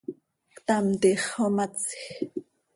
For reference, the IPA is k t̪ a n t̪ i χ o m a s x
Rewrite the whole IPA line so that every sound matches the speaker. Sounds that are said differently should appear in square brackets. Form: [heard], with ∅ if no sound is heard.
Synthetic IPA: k t̪ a [m] t̪ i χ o m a [t͡s] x